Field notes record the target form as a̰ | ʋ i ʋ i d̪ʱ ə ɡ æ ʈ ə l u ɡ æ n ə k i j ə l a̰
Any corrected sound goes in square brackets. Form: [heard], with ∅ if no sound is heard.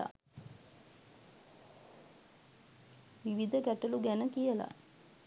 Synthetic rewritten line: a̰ | ʋ i ʋ i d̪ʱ ə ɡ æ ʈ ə l u ɡ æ n ə k i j ə l a̰